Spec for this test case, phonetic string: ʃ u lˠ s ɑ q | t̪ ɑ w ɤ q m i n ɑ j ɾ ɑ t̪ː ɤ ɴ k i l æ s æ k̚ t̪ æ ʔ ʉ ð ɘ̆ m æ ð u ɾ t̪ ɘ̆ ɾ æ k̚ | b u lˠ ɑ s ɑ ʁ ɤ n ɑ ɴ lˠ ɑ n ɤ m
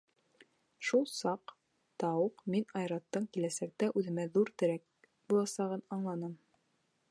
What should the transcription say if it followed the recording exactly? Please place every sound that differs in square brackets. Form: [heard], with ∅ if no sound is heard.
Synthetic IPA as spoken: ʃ u lˠ s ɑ q | t̪ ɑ w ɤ q m i n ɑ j ɾ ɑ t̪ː ɤ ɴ k i l æ s æ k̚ t̪ æ ʔ ʉ ð ɘ̆ m æ ð u ɾ t̪ ɘ̆ ɾ æ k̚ | b u lˠ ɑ s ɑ ʁ ɤ n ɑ ɴ lˠ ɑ n ɤ m

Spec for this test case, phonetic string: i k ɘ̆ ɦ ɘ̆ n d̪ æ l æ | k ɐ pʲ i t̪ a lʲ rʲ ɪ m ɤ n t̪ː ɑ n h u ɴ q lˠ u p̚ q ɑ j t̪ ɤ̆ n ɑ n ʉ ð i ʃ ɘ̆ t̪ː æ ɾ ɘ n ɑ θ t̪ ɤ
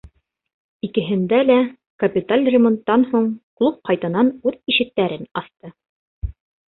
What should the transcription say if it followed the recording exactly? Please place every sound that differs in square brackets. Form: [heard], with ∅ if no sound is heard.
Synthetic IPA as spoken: i k ɘ̆ ɦ ɘ̆ n d̪ æ l æ | k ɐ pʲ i t̪ a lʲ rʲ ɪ m [o] n t̪ː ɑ n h u ɴ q lˠ u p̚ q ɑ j t̪ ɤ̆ n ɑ n ʉ ð i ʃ ɘ̆ t̪ː æ ɾ ɘ n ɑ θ t̪ ɤ

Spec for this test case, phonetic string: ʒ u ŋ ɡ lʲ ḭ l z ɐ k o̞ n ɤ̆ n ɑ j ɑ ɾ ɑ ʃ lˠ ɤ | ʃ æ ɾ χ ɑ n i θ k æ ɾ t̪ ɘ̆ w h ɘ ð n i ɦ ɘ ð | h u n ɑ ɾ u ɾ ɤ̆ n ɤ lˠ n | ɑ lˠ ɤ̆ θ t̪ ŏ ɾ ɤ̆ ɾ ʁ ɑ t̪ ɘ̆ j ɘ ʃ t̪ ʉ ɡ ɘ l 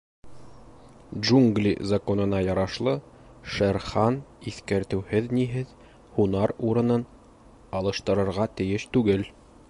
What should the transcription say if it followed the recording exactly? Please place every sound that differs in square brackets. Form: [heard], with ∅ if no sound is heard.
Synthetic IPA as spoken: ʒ u ŋ ɡ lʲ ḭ [∅] z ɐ k o̞ n ɤ̆ n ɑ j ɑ ɾ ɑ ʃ lˠ ɤ | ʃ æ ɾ χ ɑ n i θ k æ ɾ t̪ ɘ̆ w h ɘ ð n i ɦ ɘ ð | h u n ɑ ɾ u ɾ ɤ̆ n ɤ [∅] n | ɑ lˠ ɤ̆ [ʃ] t̪ [ɤ̆] ɾ ɤ̆ ɾ ʁ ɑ t̪ ɘ̆ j ɘ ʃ t̪ ʉ ɡ ɘ l

